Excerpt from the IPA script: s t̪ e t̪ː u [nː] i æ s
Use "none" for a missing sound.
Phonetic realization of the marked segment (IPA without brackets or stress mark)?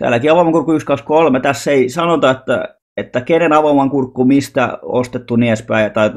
n